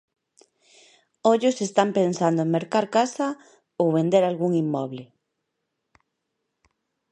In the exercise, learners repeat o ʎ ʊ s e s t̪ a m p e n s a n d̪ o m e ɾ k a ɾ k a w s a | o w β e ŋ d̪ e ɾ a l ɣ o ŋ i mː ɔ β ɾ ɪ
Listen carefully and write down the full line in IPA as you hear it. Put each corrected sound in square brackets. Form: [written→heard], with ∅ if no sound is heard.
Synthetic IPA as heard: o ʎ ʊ s e s t̪ a m p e n s a n d̪ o m e ɾ k a ɾ k a [w→∅] s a | o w β e [ŋ→n] d̪ e ɾ a l ɣ [o→u] ŋ i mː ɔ β [ɾ→l] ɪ

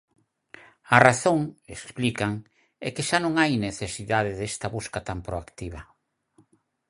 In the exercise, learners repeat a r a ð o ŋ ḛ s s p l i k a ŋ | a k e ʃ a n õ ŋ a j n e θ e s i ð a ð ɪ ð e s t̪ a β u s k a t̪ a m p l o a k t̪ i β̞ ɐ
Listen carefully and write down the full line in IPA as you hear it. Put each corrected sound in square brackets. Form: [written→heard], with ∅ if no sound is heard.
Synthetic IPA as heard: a r a [ð→θ] o ŋ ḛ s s p l i k a ŋ | [a→ɛ] k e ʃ a n õ ŋ a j n e θ e s i ð a ð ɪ ð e s t̪ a β u s k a t̪ a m p [l→ɾ] o a k t̪ i β̞ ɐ

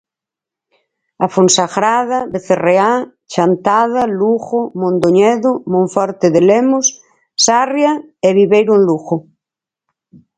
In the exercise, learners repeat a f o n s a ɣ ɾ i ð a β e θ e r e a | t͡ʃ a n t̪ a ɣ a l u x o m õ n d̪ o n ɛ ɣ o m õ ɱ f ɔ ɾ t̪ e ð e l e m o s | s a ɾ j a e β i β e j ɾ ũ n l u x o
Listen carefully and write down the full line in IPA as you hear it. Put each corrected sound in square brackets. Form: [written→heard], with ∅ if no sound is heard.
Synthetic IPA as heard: a f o n s a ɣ ɾ [i→a] ð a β e θ e r e a | t͡ʃ a n t̪ a [ɣ→ð] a l u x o m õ n d̪ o [n→ɲ] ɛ [ɣ→ð] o m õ ɱ f ɔ ɾ t̪ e ð e l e m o s | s a [ɾ→r] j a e β i β e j ɾ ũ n l u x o

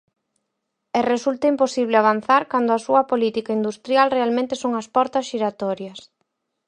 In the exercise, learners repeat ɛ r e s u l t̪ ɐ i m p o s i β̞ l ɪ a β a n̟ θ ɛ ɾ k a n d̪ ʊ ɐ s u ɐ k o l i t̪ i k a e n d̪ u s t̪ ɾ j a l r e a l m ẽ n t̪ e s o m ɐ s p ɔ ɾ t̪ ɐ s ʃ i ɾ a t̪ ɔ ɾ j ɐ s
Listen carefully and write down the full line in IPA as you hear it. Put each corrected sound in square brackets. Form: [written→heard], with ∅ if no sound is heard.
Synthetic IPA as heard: ɛ r e s u l t̪ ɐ i m p o s i β̞ l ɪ a β a n̟ θ [ɛ→a] ɾ k a n d̪ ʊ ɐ s u ɐ [k→p] o l i t̪ i k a [e→i] n d̪ u s t̪ ɾ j a l r e a l m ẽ n t̪ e s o [m→ŋ] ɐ s p ɔ ɾ t̪ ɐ s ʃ i ɾ a t̪ ɔ ɾ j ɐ s

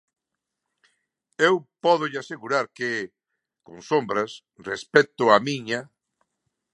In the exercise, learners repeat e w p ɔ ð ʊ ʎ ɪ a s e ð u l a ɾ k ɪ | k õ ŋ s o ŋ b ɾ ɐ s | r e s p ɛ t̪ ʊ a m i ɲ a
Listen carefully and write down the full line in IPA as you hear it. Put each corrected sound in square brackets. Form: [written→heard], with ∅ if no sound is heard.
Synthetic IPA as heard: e w p ɔ ð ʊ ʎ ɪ a s e [ð→ɣ] u [l→ɾ] a ɾ k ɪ | k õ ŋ s o [ŋ→m] b ɾ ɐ s | r e s p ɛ t̪ ʊ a m i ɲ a

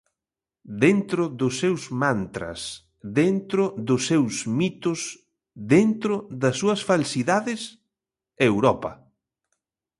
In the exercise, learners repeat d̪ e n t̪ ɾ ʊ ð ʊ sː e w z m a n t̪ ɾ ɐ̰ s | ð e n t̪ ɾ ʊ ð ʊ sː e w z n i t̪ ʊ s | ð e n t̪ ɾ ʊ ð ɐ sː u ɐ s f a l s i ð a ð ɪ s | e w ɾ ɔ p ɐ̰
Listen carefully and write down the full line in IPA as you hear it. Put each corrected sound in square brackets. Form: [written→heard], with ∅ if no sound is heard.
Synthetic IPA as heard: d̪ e n t̪ ɾ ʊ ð ʊ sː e w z m a n t̪ ɾ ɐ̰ s | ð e n t̪ ɾ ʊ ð ʊ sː e w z [n→m] i t̪ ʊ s | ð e n t̪ ɾ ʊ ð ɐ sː u ɐ s f a l s i ð a ð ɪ s | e w ɾ ɔ p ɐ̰

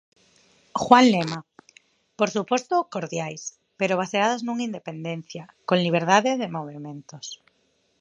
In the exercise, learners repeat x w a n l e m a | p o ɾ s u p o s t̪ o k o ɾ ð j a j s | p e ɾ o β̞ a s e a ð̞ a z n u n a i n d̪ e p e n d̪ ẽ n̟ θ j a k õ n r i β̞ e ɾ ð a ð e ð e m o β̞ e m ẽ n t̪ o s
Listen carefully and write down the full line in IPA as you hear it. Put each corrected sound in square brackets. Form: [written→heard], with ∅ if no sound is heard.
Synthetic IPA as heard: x w a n l e m a | p o ɾ s u p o s t̪ o k o ɾ ð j a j s | p e ɾ o β̞ a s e a ð̞ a z n u [n→ŋ] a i n d̪ e p e n d̪ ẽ n̟ θ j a k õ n [r→l] i β̞ e ɾ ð a ð e ð e m o β̞ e m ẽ n t̪ o s

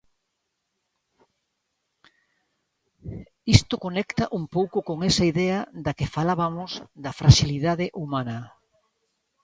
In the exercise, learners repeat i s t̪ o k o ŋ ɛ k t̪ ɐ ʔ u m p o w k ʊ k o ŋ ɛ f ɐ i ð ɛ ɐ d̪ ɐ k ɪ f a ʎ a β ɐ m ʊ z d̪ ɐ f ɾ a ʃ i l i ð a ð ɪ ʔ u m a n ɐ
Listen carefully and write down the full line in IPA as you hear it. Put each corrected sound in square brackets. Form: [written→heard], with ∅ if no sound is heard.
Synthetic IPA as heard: i s t̪ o k o [ŋ→n] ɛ k t̪ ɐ ʔ u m p o w k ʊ k o ŋ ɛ [f→s] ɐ i ð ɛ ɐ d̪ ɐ k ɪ f a [ʎ→l] a β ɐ m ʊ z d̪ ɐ f ɾ a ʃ i l i ð a ð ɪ ʔ u m a n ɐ

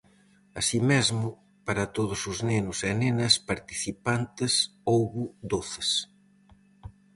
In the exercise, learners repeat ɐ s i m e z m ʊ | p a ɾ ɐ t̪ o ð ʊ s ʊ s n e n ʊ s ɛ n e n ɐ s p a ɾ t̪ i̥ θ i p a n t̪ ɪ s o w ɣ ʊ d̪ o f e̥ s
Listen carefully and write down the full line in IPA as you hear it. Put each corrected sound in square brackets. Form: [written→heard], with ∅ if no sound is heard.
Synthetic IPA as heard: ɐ s i m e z m ʊ | p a ɾ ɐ t̪ o ð ʊ s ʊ [s→z] n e n ʊ s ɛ n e n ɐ s p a ɾ t̪ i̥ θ i p a n t̪ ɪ s o w ɣ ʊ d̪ o [f→θ] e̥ s

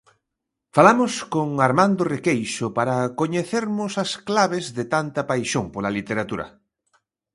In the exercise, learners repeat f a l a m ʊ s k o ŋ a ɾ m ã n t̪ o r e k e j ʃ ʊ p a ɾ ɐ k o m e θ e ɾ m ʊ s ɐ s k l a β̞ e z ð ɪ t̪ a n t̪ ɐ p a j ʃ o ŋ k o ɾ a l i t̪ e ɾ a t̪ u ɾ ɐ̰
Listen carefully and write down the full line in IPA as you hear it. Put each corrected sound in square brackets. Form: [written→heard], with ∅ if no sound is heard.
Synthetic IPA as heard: f a l a m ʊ s k o ŋ a ɾ m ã n [t̪→d̪] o r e k e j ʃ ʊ p a ɾ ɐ k o [m→ɲ] e θ e ɾ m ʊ s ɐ s k l a β̞ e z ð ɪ t̪ a n t̪ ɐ p a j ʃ o ŋ [k→p] o [ɾ→l] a l i t̪ e ɾ a t̪ u ɾ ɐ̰

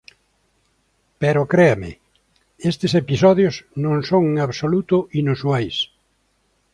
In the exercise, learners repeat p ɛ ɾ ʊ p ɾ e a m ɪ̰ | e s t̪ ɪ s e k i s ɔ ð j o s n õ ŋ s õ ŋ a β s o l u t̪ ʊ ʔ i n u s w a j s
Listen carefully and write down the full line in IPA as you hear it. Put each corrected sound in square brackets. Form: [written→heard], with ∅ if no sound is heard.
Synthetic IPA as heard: p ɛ ɾ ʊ [p→k] ɾ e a m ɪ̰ | e s t̪ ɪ s e [k→p] i s ɔ ð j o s n õ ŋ s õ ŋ a β s o l u t̪ ʊ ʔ i n u s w a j s

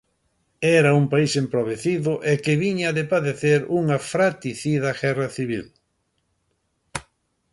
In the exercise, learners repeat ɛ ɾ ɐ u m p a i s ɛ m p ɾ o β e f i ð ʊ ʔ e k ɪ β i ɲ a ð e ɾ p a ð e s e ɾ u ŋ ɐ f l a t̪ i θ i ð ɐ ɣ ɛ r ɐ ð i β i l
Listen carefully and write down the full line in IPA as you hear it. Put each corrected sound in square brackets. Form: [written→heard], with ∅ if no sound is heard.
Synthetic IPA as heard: ɛ ɾ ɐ u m p a i s [ɛ→e] m p ɾ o β e [f→θ] i ð ʊ ʔ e k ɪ β i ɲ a ð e [ɾ→∅] p a ð e [s→θ] e ɾ u ŋ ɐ f [l→ɾ] a t̪ i θ i ð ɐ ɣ ɛ r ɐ [ð→θ] i β i l

